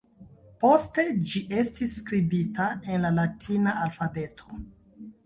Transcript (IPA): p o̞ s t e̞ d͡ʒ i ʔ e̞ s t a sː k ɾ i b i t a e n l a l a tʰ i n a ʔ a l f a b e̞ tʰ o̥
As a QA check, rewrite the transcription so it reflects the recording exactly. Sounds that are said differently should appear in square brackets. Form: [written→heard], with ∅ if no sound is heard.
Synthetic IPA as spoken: p o̞ s t e̞ d͡ʒ i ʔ e̞ s t [a→i] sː k ɾ i b i t a e n l a l a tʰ i n a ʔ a l f a b e̞ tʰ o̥